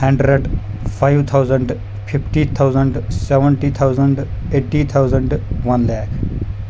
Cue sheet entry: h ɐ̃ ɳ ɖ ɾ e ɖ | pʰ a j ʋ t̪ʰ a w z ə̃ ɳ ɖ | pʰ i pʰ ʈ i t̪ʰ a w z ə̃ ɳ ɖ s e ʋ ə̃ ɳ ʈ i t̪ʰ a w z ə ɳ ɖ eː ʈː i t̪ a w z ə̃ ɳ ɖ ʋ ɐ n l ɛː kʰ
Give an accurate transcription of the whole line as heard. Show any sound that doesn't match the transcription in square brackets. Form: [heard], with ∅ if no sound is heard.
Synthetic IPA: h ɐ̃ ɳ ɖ ɾ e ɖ | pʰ a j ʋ t̪ʰ a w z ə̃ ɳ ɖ | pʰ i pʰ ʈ i t̪ʰ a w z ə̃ ɳ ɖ s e ʋ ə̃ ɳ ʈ i t̪ʰ a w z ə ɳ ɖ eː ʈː i [t̪ʰ] a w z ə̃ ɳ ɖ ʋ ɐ n l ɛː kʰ